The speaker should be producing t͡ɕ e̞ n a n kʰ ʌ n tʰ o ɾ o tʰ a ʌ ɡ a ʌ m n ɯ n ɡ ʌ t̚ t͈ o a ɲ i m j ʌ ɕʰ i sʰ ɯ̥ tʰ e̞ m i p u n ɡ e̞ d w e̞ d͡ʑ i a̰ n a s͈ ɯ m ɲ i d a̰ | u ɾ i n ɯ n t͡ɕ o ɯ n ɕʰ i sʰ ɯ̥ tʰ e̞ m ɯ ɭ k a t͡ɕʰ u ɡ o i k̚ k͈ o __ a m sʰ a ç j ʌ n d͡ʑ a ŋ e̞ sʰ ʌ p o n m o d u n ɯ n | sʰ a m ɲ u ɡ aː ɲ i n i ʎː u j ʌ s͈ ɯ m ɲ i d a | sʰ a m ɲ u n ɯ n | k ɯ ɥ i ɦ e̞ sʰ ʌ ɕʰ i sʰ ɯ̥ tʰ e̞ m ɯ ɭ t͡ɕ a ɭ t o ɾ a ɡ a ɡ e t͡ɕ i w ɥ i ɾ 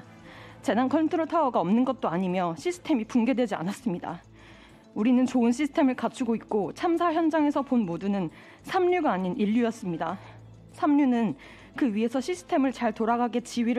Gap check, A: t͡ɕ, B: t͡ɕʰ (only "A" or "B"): B